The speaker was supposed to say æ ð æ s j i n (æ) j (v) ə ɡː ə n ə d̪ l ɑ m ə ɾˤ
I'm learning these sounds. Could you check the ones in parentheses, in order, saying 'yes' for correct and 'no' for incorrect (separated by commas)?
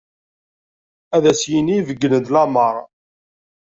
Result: no, yes